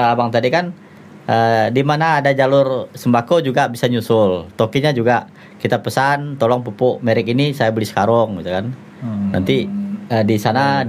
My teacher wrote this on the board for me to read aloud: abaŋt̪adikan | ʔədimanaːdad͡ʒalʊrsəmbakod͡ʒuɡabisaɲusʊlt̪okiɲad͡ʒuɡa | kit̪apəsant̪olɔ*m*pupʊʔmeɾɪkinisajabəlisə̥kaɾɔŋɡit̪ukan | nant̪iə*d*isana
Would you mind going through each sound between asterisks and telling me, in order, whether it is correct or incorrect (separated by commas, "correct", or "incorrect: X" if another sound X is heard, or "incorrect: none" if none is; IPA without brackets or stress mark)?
incorrect: ŋ, correct